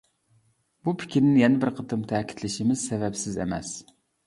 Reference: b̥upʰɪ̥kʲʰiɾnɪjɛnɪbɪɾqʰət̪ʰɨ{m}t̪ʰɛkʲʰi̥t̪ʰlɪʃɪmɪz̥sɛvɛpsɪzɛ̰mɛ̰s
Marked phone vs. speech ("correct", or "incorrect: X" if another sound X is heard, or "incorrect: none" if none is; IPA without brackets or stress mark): correct